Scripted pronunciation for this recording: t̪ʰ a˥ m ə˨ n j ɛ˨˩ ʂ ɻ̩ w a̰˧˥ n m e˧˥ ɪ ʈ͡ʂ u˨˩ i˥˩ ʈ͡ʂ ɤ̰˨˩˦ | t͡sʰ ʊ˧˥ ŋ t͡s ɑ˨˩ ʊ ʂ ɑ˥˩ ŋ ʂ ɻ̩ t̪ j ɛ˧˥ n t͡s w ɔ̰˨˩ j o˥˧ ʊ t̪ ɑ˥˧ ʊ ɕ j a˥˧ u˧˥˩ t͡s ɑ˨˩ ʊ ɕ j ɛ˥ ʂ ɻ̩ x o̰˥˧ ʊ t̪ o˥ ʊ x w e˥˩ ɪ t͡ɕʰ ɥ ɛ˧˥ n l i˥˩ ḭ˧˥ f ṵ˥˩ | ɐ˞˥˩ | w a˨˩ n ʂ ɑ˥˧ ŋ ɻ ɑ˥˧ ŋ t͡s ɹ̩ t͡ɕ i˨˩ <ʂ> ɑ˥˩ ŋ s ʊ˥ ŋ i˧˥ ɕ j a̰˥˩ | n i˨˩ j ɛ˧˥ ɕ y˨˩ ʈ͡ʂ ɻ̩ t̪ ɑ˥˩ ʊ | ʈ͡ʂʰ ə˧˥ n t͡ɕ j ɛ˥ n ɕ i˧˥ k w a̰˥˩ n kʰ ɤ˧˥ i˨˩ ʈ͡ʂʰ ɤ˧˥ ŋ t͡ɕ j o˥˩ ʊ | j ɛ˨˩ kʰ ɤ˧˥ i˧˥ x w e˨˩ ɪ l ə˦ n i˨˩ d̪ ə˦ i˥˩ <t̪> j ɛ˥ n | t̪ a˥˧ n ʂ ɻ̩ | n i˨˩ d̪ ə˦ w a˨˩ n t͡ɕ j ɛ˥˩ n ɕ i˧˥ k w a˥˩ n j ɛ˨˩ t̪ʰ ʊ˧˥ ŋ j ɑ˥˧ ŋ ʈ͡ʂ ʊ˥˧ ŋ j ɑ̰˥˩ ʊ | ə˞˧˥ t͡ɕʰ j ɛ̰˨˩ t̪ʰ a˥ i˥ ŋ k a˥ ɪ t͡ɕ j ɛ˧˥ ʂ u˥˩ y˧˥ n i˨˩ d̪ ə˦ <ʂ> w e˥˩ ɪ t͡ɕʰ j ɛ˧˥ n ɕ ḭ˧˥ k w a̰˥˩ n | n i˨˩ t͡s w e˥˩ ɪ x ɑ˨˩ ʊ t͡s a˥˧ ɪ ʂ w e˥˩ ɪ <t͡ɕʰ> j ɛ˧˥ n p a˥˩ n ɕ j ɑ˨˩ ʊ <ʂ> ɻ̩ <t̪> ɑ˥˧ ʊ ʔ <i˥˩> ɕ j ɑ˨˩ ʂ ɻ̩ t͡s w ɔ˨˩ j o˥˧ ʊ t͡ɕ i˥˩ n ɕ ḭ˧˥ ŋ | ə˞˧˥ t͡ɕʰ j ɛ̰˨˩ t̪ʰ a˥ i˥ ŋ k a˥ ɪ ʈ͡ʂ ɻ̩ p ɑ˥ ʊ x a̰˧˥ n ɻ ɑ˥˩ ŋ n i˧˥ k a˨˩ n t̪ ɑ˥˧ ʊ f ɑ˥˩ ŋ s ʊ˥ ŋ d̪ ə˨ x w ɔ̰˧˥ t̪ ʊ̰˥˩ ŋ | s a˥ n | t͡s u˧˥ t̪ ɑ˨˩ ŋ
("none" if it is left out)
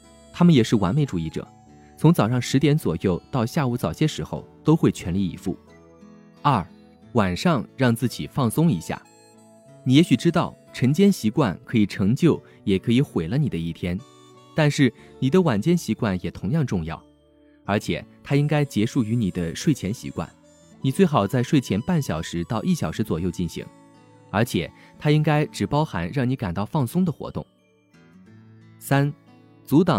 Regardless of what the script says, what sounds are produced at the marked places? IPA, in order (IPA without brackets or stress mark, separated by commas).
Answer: f, t̪ʰ, ʂ, t͡ɕʰ, ʂ, t̪, i˥˩